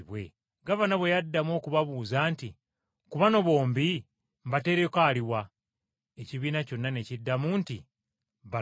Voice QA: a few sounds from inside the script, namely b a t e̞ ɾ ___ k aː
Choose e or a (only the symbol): e